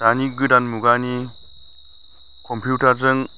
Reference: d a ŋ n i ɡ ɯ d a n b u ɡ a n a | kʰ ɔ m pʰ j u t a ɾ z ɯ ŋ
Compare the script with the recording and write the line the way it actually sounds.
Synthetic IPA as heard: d a n i ɡ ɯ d a n m u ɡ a n i | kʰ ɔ m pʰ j u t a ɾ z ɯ ŋ